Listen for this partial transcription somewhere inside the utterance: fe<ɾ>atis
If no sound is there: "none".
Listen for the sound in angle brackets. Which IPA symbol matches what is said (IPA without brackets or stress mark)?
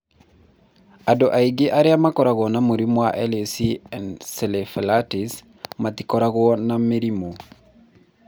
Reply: l